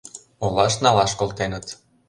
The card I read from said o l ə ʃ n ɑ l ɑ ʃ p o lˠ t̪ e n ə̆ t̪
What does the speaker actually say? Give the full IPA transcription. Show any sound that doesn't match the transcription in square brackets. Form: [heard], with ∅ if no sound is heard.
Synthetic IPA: o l [ɑ] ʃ n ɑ l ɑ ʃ [k] o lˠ t̪ e n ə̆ t̪

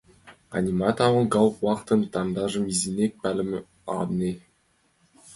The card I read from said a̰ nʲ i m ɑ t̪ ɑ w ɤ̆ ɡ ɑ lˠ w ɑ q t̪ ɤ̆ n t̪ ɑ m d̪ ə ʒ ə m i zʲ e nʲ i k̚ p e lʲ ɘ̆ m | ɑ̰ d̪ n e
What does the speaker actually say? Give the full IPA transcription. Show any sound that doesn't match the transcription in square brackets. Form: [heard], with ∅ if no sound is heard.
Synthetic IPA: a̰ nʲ i m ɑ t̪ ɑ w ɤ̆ ɡ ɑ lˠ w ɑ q t̪ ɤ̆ n t̪ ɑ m d̪ [ɑ] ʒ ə m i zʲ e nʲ [e] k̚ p [æ] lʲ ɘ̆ m | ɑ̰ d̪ n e

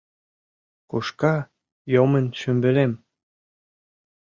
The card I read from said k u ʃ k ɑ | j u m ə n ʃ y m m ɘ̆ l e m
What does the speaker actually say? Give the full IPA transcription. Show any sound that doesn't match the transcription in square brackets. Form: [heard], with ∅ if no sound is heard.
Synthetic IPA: k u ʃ k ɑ | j [o] m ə n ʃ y m [b] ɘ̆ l e m

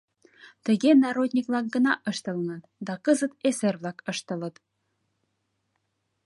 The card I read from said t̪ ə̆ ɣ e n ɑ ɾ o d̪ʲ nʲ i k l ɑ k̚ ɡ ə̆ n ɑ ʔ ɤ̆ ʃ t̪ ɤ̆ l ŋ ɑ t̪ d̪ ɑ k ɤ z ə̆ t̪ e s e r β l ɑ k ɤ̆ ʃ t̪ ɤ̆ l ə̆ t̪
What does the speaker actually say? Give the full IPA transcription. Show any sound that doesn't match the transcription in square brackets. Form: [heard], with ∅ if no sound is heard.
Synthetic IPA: t̪ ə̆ ɣ e n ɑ ɾ o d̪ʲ nʲ i k l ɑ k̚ ɡ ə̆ n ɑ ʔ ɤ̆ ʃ t̪ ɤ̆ l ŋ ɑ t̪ d̪ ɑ k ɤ z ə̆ t̪ e s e r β l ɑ k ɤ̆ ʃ t̪ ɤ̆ l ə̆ t̪

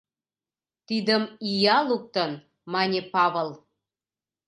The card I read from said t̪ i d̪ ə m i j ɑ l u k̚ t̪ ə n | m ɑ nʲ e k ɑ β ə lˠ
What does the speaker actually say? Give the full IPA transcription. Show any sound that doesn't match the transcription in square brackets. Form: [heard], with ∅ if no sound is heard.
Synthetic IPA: t̪ i d̪ ə m i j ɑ l u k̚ t̪ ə n | m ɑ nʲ e [p] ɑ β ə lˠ

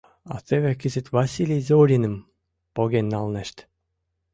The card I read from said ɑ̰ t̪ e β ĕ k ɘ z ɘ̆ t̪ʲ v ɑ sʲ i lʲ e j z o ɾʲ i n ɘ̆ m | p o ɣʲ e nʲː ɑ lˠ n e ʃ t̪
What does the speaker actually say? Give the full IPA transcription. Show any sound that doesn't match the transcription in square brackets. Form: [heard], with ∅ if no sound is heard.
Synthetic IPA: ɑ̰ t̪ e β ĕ k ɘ z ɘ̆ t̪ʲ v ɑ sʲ i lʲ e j z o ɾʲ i n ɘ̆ m | p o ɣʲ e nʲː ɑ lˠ n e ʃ t̪

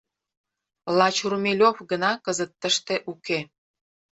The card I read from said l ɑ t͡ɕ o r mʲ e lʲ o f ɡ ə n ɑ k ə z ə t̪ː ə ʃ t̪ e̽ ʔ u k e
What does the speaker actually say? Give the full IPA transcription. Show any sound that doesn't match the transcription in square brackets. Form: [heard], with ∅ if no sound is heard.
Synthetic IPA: l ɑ t͡ɕ [u] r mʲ e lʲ o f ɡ ə n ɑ k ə z ə t̪ː ə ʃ t̪ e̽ ʔ u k e

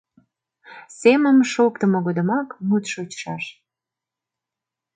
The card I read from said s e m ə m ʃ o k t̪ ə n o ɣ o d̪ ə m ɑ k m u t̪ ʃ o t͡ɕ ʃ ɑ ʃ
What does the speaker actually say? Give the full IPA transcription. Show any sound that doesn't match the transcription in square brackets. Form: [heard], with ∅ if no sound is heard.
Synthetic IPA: s e m ə m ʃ o k t̪ ə [m] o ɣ o d̪ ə m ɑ k m u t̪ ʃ o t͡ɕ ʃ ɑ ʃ

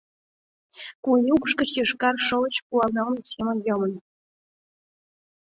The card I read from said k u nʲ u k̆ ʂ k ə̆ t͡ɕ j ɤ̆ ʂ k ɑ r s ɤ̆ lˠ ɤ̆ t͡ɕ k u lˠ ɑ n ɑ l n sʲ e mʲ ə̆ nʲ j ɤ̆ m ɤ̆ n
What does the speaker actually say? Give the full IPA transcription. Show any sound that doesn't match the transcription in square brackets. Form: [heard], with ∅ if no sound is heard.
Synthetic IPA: k u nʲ u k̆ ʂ k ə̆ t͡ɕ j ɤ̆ ʂ k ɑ r [ʂ] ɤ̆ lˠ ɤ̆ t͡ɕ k u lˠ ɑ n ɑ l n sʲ e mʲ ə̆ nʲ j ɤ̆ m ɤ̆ n

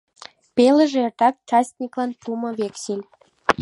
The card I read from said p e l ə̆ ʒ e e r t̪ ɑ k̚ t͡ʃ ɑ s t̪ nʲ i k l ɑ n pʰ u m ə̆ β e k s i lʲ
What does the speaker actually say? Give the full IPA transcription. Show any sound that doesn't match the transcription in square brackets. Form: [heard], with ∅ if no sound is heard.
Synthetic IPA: p e l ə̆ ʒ e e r t̪ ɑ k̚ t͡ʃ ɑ s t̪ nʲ i k l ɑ n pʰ u m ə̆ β e k s i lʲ

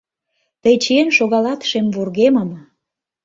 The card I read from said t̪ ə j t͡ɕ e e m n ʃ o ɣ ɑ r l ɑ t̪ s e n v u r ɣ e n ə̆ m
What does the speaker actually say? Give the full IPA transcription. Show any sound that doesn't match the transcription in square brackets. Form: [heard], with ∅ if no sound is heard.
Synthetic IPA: t̪ ə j t͡ɕ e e [∅] n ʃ o ɣ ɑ [∅] l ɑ t̪ [ʃ] e [m] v u r ɣ e [m] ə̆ m

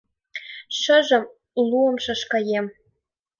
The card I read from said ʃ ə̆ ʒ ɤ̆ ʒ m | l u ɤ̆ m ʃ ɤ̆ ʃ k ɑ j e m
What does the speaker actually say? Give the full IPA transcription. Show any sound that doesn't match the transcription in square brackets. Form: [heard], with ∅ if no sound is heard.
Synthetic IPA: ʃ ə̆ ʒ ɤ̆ [∅] m | l u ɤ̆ m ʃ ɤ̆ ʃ k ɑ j e m

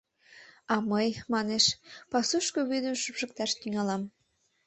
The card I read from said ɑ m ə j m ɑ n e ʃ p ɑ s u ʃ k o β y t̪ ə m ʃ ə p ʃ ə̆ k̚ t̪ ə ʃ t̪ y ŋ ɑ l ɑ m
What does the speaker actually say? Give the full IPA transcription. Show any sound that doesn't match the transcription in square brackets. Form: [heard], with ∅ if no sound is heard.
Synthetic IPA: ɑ m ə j m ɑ n e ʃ p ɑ s u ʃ k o β y [d̪] ə m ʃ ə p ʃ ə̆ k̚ t̪ [ɑ] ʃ t̪ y ŋ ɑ l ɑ m

